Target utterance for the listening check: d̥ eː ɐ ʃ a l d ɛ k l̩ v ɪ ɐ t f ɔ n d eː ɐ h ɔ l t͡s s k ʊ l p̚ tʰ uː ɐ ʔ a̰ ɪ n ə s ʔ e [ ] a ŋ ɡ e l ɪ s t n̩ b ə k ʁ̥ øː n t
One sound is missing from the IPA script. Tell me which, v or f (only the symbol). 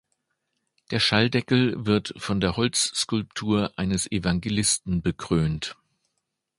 v